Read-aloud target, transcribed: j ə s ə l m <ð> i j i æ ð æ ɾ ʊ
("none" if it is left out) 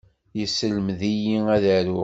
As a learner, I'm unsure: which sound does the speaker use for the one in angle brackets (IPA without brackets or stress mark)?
ð